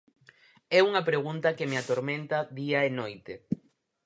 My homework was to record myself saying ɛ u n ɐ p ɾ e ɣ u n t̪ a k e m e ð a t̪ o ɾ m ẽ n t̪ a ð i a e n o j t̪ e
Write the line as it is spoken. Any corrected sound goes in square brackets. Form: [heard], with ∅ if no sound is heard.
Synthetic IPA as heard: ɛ u [ŋ] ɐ p ɾ e ɣ u n t̪ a k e m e [∅] a t̪ o ɾ m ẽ n t̪ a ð i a e n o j t̪ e

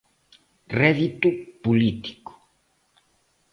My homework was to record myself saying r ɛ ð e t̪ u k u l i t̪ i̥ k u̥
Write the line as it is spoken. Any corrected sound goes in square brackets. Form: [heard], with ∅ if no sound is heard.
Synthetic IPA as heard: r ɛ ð [i] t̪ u [p] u l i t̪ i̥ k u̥

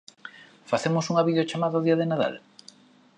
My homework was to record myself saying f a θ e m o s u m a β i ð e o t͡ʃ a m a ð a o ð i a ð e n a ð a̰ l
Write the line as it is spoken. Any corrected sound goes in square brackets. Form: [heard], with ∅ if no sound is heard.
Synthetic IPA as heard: f a θ e m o s u [ŋ] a β i ð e o t͡ʃ a m a ð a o ð i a ð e n a ð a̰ l

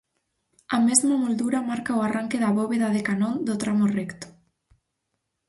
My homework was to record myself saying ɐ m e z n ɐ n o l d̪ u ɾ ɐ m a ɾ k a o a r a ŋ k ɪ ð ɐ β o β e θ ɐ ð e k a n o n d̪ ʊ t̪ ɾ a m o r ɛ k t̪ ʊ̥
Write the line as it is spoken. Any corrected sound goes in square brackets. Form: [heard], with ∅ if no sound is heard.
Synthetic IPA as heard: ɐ m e z [m] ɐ [m] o l d̪ u ɾ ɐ m a ɾ k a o a r a ŋ k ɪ ð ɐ β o β e [ð] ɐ ð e k a n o n d̪ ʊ t̪ ɾ a m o r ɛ k t̪ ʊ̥

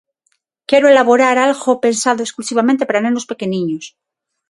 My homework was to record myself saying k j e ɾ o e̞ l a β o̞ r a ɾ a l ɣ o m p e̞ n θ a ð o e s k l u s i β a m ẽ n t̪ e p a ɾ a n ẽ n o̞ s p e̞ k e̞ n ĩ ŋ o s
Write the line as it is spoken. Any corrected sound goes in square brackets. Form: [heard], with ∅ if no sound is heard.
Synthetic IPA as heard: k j e ɾ o e̞ l a β o̞ [ɾ] a ɾ a l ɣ o [∅] p e̞ n [s] a ð o e s k l u s i β a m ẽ n t̪ e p a ɾ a n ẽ n o̞ s p e̞ k e̞ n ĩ [ɲ] o s

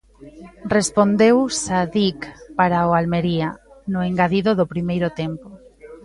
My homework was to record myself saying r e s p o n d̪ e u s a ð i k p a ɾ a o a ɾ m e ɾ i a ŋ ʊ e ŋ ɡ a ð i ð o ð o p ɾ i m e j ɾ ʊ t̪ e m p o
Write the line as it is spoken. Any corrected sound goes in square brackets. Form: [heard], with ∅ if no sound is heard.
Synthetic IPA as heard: r e s p o n d̪ e [w] s a ð i k p a ɾ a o a [l] m e ɾ i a [n] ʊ e ŋ ɡ a ð i ð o ð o p ɾ i m e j ɾ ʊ t̪ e m p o

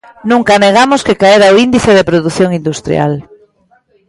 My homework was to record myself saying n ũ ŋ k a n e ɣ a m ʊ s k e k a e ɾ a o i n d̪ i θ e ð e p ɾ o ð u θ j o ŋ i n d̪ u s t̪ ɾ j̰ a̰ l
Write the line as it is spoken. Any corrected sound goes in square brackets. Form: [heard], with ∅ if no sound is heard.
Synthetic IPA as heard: n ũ ŋ k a n e ɣ a m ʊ s k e k a e ɾ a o i n d̪ i θ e ð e p ɾ o ð u θ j o ŋ i n d̪ u s t̪ ɾ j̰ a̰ l

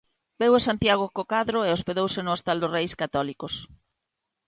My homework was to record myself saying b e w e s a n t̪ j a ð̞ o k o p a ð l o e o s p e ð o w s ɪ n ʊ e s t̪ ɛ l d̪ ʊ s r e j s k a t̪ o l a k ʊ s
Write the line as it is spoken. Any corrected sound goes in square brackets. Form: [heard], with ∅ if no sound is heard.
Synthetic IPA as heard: b e w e s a n t̪ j a [ɣ̞] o k o [k] a ð [ɾ] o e o s p e ð o w s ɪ n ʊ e s t̪ [a] l d̪ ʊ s r e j s k a t̪ [ɔ] l [i] k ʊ s

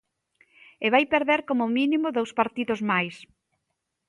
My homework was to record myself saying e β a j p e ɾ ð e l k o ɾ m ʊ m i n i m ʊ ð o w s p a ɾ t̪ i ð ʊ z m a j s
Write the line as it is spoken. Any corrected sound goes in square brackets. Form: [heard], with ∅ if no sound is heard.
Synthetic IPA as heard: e β a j p e ɾ ð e [ɾ] k o [∅] m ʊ m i n i m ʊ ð o w s p a ɾ t̪ i ð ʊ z m a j s

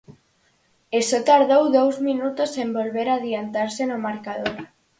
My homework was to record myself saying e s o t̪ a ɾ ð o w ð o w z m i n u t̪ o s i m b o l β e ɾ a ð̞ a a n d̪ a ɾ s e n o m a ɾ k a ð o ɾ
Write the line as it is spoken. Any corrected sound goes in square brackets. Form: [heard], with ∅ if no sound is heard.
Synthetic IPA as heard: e s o t̪ a ɾ ð o w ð o w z m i n u t̪ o s [e] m b o l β e ɾ a ð̞ [i] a n [t̪] a ɾ s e n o m a ɾ k a ð o ɾ

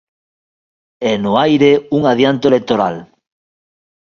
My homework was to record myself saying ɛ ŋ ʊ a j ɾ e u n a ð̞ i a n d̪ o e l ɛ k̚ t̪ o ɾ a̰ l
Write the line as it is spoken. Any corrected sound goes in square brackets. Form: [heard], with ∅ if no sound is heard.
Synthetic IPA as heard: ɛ [n] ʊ a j ɾ e u [ŋ] a ð̞ [j] a n [t̪] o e l [e] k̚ t̪ o ɾ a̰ l

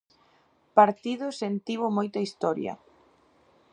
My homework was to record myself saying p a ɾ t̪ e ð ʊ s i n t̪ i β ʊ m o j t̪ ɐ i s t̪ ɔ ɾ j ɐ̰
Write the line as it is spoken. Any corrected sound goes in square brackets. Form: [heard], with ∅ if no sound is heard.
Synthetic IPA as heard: p a ɾ t̪ [i] ð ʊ s [e] n t̪ i β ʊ m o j t̪ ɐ i s t̪ ɔ ɾ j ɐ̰

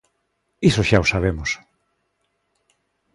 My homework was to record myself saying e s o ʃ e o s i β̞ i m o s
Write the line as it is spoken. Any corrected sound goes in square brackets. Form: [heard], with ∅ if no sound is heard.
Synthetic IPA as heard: [i] s o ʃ [a] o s [a] β̞ [e] m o s

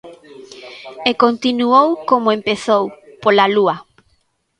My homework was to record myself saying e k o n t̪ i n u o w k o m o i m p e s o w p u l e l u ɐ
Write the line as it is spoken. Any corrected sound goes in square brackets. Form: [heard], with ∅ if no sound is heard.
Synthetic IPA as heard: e k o n t̪ i n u o w k o m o [e] m p e [θ] o w p [o] l [a] l u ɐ

